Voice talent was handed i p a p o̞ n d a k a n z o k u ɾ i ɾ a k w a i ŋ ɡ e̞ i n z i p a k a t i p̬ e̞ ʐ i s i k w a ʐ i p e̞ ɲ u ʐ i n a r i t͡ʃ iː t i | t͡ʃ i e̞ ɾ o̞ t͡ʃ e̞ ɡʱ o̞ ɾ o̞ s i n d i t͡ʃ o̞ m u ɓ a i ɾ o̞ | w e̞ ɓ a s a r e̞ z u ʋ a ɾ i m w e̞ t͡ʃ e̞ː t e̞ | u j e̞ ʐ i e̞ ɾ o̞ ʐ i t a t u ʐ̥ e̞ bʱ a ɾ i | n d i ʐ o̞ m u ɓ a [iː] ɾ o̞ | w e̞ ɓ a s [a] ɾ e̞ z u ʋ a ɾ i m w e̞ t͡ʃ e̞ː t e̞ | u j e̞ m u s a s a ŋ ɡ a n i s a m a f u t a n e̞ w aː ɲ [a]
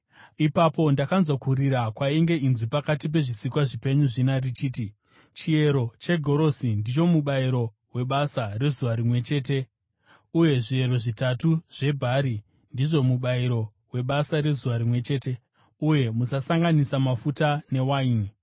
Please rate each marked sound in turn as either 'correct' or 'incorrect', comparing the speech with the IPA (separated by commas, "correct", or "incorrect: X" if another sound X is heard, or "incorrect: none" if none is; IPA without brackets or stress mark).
incorrect: i, correct, incorrect: i